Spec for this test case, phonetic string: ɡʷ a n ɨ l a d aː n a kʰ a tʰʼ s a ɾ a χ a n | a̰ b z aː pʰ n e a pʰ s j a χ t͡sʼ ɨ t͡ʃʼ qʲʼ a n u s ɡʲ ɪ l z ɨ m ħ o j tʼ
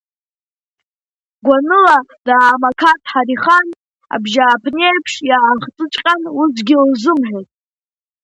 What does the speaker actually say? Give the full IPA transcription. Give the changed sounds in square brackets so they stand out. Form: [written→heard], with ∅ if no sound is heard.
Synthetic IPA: ɡʷ a n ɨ l a d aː [n→m] a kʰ a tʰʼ [s→ħ] a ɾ [a→i] χ a n | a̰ b [z→ʒ] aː pʰ n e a pʰ [s→ʂ] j a χ t͡sʼ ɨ t͡ʃʼ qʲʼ a n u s ɡʲ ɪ l z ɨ m ħ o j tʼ